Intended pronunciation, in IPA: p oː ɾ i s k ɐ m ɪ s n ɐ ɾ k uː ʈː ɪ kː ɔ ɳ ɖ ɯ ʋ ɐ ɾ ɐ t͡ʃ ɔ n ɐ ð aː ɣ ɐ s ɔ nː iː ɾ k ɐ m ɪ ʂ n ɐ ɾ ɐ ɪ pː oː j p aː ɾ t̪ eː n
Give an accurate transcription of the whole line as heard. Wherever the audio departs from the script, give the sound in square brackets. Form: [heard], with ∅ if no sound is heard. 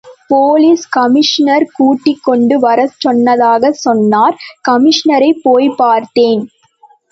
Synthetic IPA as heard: p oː [l] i s k ɐ m ɪ [ʂ] n ɐ ɾ k uː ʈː ɪ kː ɔ ɳ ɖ ɯ ʋ ɐ ɾ ɐ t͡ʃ ɔ [nː] ɐ ð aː ɣ ɐ s ɔ nː [aː] ɾ k ɐ m ɪ ʂ n ɐ ɾ ɐ ɪ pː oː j p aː ɾ t̪ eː n